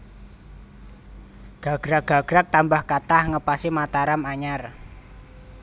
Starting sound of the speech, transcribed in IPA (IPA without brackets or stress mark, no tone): ɡ̥